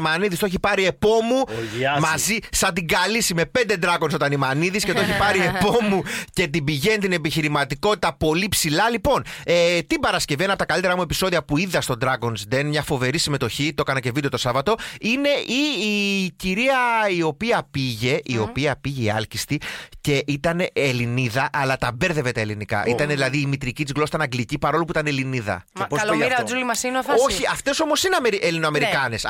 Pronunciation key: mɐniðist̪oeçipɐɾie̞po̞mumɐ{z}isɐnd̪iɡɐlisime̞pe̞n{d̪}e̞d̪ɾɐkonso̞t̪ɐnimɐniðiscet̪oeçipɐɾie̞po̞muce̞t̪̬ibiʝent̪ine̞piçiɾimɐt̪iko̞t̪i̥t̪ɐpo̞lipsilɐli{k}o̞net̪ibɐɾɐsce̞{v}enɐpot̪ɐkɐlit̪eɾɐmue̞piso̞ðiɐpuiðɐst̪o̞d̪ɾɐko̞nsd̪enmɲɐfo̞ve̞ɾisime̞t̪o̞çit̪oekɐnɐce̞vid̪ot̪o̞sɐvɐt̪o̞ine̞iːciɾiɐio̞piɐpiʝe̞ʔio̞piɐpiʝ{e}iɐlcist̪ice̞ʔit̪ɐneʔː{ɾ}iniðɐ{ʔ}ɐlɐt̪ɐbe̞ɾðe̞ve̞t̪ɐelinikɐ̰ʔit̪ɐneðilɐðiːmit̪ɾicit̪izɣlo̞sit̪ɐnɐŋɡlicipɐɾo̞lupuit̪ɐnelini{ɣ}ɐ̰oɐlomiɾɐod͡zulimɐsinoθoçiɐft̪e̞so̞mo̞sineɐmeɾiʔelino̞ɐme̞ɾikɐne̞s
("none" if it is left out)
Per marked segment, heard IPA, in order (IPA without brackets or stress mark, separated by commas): z, d̪, p, v, e, l, ʔ, ð